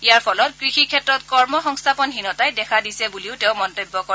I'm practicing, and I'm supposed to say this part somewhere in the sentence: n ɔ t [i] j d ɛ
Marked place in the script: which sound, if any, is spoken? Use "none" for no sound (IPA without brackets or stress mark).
a